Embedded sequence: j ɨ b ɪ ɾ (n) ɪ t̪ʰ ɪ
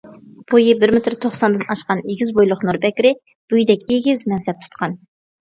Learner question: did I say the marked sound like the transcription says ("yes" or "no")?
no